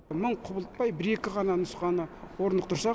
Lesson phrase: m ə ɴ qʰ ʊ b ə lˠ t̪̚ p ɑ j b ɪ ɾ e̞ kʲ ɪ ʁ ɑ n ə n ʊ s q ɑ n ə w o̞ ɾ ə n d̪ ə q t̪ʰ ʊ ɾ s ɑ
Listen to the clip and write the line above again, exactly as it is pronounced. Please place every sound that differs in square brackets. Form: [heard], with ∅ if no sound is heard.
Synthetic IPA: m ə ɴ qʰ ʊ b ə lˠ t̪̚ p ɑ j b ɪ ɾ e̞ kʲ ɪ ʁ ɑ n [ɑ] n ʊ s q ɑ n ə w o̞ ɾ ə n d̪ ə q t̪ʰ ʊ ɾ s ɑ